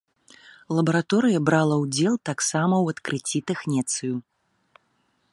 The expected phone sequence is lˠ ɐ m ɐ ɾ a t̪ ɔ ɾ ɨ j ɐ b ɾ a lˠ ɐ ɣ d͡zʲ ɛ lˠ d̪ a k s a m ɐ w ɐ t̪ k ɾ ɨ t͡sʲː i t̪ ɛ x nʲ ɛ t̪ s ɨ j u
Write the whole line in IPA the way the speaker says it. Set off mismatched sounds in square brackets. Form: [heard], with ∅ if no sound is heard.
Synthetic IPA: lˠ ɐ [b] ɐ ɾ a t̪ ɔ ɾ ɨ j ɐ b ɾ a lˠ ɐ [w] d͡zʲ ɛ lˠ [t̪] a k s a m ɐ w ɐ t̪ k ɾ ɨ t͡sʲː i t̪ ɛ x nʲ ɛ t̪ s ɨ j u